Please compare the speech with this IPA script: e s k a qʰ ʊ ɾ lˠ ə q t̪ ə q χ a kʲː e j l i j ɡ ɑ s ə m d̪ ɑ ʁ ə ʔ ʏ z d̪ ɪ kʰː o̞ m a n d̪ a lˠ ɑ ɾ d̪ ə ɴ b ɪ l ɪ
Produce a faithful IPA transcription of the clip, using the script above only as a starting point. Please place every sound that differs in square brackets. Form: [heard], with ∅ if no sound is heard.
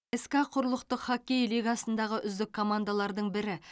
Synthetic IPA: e s k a qʰ ʊ ɾ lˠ ə q t̪ ə q χ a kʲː e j l i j ɡ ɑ s ə [n] d̪ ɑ ʁ ə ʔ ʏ z d̪ ɪ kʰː o̞ m a n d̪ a lˠ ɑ ɾ d̪ ə ɴ b ɪ [ɾ] ɪ